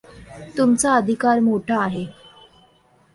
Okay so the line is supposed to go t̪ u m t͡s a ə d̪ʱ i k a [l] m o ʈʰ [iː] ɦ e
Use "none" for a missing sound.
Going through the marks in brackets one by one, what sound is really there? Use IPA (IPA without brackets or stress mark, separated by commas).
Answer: ɾ, aː